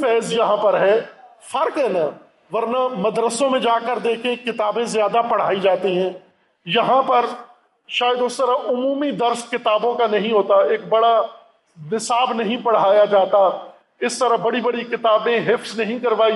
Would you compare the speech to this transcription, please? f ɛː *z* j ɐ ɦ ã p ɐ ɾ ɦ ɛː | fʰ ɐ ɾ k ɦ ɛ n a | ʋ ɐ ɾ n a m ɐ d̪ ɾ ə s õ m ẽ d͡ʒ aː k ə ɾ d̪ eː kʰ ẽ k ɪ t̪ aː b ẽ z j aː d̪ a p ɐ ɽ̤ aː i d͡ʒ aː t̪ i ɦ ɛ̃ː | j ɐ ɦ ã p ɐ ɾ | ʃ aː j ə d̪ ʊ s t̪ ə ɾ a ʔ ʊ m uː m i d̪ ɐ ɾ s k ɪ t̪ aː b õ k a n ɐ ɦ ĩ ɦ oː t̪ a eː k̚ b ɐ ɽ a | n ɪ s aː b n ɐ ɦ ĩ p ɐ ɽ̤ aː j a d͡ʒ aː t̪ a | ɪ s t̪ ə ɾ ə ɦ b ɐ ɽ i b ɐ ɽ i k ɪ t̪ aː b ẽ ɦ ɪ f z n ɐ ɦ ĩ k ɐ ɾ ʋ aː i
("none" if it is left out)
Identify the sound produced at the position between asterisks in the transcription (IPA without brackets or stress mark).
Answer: z